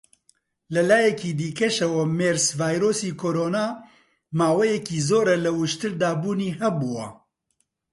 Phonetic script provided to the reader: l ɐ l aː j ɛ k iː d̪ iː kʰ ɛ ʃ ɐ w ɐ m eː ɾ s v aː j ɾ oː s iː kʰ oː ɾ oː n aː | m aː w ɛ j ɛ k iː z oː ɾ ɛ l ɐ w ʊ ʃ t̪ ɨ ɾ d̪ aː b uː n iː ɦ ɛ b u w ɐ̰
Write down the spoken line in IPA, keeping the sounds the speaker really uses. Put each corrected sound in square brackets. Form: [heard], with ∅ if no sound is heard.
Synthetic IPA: l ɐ l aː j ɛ k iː d̪ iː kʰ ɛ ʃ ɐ w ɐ m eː ɾ s v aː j ɾ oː s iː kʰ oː ɾ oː n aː | m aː w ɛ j ɛ k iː z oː ɾ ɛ l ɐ w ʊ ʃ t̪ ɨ ɾ d̪ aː b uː n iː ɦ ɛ b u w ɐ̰